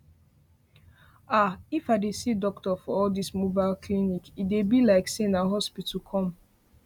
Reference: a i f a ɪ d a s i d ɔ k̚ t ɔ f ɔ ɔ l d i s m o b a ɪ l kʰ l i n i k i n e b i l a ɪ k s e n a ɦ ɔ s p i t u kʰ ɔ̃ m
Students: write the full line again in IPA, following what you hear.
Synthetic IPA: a i f a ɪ d e s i d ɔ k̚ t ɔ f ɔ ɔ l d i s m o b a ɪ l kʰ l i n i k i d e b i l a ɪ k s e n a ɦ ɔ s p i t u kʰ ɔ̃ m